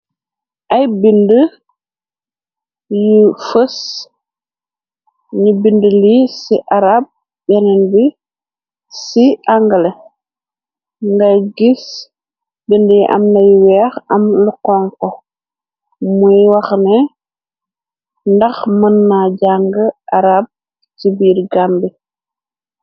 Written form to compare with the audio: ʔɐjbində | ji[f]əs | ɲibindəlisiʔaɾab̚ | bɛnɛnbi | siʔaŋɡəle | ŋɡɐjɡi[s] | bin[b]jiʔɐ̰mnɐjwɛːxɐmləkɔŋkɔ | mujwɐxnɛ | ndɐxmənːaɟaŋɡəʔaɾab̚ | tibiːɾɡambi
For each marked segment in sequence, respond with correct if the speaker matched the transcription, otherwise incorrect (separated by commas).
correct, correct, incorrect